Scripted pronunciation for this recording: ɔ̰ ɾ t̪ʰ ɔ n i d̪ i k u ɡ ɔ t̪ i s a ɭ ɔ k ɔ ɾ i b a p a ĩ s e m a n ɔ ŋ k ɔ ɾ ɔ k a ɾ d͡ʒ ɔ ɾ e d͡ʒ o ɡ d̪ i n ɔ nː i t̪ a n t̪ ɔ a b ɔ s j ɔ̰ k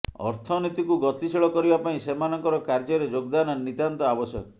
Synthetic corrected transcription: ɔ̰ ɾ t̪ʰ ɔ n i t̪ i k u ɡ ɔ t̪ i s i ɭ ɔ k ɔ ɾ i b a p a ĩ s e m a n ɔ ŋ k ɔ ɾ ɔ k a ɾ d͡ʒ ɔ ɾ e d͡ʒ o ɡ d̪ a n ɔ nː i t̪ a n t̪ ɔ a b ɔ s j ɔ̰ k